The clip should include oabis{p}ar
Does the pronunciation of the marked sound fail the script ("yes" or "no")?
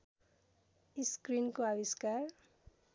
yes